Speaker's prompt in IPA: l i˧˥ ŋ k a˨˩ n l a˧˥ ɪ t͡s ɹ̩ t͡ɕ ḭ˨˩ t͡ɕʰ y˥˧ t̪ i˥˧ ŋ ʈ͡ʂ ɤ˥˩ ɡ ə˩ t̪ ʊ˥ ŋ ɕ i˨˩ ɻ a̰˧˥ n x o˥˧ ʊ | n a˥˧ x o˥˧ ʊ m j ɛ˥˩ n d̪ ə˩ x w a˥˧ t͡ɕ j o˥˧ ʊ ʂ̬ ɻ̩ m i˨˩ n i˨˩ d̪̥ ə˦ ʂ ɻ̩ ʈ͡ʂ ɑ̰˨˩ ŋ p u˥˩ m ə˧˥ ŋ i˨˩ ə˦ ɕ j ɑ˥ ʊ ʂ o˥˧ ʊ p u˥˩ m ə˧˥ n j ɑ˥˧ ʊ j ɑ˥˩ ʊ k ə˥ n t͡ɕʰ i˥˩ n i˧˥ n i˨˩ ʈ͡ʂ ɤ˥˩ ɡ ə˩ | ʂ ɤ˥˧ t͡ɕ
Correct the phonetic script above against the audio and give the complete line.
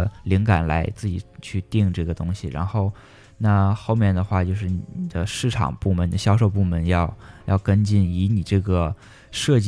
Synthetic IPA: l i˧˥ ŋ k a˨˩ n l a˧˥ ɪ t͡s ɹ̩ t͡ɕ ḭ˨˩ t͡ɕʰ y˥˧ t̪ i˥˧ ŋ ʈ͡ʂ ɤ˥˩ ɡ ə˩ t̪ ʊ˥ ŋ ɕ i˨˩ ɻ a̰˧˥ n x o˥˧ ʊ | n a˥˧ x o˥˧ ʊ m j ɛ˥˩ n d̪ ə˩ x w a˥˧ t͡ɕ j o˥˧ ʊ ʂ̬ ɻ̩ n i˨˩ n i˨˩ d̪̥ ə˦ ʂ ɻ̩ ʈ͡ʂʰ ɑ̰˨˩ ŋ p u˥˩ m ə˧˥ n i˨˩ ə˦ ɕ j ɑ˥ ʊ ʂ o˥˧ ʊ p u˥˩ m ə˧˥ n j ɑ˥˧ ʊ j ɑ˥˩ ʊ k ə˥ n t͡ɕ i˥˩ n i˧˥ n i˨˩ ʈ͡ʂ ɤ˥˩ ɡ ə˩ | ʂ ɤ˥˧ t͡ɕ